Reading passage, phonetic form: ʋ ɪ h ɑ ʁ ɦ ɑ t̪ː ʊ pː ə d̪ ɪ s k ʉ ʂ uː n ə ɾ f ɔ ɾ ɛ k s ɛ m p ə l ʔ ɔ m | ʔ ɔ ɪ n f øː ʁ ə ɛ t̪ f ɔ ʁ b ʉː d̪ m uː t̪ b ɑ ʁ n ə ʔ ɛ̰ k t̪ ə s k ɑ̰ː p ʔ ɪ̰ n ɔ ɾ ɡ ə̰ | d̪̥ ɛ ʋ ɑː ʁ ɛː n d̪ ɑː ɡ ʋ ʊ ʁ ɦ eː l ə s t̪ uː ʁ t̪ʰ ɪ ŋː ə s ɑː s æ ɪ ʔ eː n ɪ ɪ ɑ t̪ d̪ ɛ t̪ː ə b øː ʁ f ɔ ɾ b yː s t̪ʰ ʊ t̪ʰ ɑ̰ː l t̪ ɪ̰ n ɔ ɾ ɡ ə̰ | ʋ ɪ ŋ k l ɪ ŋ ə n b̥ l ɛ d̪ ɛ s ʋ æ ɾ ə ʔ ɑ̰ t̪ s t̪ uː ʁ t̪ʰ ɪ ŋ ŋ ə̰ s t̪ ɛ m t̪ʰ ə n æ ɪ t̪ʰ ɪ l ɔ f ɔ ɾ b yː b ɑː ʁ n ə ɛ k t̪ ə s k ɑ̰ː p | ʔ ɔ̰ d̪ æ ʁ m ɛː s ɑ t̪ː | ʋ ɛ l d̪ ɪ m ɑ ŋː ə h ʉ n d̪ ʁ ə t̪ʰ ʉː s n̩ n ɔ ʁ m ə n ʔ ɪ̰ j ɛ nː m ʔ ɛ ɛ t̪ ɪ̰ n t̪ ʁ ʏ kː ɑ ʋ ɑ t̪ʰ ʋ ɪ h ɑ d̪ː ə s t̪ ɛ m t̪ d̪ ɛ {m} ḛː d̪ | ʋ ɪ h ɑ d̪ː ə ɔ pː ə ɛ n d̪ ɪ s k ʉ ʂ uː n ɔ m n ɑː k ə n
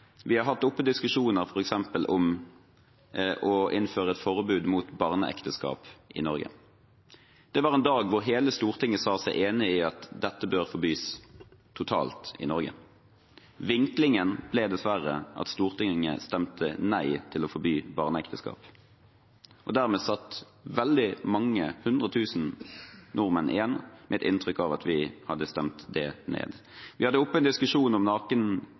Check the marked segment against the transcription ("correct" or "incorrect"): incorrect